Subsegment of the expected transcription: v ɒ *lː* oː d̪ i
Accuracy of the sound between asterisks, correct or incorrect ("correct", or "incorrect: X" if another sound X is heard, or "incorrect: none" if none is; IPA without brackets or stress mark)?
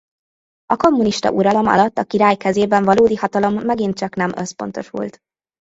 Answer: incorrect: l